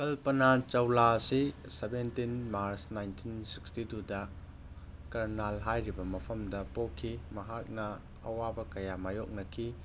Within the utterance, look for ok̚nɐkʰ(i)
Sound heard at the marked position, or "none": i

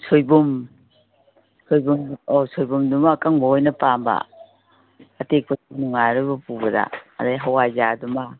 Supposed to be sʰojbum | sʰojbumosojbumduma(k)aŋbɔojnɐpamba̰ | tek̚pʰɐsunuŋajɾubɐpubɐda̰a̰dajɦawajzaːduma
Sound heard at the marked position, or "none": k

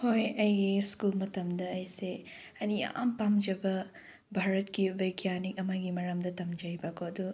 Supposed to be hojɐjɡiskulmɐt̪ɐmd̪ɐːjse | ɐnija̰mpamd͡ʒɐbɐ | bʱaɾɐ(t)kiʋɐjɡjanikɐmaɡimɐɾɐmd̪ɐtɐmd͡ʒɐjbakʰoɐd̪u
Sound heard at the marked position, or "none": t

